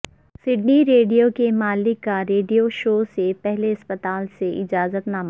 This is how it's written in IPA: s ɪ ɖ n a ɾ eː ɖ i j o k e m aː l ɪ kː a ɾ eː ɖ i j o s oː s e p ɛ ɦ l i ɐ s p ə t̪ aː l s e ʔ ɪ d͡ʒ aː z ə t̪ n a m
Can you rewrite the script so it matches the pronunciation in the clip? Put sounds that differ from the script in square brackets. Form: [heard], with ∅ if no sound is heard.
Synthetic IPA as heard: s ɪ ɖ n [i] ɾ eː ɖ i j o k e m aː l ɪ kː a ɾ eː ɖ i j o [ʃ] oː s e p ɛ ɦ l [e] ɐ s p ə t̪ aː l s e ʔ ɪ d͡ʒ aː z ə t̪ n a m

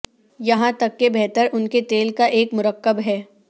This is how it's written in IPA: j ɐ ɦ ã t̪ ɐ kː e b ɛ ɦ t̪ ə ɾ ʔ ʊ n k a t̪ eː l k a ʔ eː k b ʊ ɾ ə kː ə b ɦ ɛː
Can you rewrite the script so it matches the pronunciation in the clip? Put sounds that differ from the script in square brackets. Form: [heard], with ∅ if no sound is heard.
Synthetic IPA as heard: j ɐ ɦ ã t̪ ɐ kː e b ɛ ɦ t̪ ə ɾ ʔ ʊ n k [e] t̪ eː l k a ʔ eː k [m] ʊ ɾ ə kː ə b ɦ ɛː

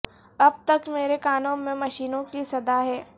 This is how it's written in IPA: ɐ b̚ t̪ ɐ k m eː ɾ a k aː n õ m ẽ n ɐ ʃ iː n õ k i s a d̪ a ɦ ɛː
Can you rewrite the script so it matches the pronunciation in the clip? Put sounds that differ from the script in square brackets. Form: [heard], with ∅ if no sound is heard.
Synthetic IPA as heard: ɐ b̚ t̪ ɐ k m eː ɾ [e] k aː n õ m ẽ [m] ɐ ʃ iː n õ k i s [ɐ] d̪ a ɦ ɛː

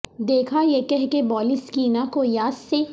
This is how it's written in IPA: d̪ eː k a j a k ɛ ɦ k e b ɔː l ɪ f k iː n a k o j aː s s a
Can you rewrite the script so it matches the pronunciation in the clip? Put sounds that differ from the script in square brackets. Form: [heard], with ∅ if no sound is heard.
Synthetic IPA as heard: d̪ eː [kʰ] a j [e] k ɛ ɦ k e b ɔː l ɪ [s] k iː n a k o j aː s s [e]

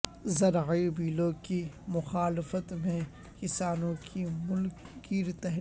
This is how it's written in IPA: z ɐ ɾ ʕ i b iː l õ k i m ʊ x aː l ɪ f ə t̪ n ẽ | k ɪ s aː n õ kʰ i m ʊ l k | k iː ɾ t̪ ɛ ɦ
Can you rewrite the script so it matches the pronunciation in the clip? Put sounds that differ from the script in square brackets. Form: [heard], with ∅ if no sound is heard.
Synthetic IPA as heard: z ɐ ɾ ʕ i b iː l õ k i m ʊ x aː l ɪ f ə t̪ [m] ẽ | k ɪ s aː n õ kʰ i m ʊ l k | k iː ɾ t̪ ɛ ɦ

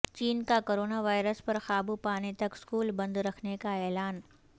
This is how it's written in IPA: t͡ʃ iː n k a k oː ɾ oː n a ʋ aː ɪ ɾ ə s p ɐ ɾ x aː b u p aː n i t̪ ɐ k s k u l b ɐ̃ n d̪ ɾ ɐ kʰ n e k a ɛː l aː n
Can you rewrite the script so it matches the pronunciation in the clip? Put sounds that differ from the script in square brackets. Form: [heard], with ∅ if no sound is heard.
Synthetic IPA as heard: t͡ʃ iː n k a k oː ɾ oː n a ʋ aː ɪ ɾ ə s p ɐ ɾ x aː b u p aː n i t̪ ɐ k s k [uː] l b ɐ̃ n d̪ ɾ ɐ kʰ n e k a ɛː l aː n

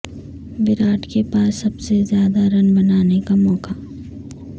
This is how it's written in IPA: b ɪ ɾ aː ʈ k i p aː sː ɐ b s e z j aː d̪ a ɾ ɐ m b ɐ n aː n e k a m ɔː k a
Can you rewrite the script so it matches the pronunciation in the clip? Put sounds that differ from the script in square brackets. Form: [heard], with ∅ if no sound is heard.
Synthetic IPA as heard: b ɪ ɾ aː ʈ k [e] p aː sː ɐ b s e z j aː d̪ a ɾ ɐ [n] b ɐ n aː n e k a m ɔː k a

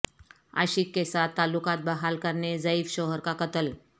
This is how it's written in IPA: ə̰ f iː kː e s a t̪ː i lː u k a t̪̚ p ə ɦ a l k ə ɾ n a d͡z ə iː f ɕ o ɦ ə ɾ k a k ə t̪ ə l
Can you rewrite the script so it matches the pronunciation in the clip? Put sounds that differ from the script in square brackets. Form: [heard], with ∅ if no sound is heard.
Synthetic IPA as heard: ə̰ [ɕ] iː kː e s a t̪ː [a] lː u k a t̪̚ [b] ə ɦ a l k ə ɾ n [e] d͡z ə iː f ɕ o ɦ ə ɾ k a k ə t̪ ə l

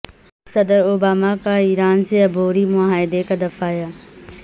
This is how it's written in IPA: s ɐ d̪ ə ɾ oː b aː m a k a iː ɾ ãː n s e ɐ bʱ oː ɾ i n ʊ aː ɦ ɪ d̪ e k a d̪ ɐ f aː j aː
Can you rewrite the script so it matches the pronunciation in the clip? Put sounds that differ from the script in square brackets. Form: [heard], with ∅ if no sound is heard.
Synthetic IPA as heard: s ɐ d̪ ə ɾ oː b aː m a k a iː ɾ [aː] n s e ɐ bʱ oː ɾ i [m] ʊ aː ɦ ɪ d̪ e k a d̪ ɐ f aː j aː

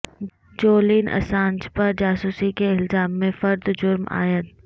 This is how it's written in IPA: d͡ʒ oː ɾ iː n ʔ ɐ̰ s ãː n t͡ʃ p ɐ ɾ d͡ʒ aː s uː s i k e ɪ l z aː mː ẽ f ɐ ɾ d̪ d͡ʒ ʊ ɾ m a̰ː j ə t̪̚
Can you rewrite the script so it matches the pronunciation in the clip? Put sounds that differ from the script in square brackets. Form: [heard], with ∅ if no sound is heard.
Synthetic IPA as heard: d͡ʒ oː [l] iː n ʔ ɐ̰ s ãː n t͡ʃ p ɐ ɾ d͡ʒ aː s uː s i k e ɪ l z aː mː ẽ f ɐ ɾ d̪ d͡ʒ ʊ ɾ m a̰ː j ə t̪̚

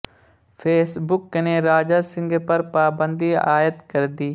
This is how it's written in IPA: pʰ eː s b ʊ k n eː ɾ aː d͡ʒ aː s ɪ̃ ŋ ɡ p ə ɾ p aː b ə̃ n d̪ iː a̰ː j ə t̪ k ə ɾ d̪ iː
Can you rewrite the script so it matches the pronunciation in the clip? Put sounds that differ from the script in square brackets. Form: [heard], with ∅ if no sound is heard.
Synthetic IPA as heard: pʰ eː s b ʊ k n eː ɾ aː d͡ʒ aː s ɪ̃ ŋ ɡ p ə ɾ p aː b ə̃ n d̪ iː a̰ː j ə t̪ k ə ɾ d̪ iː

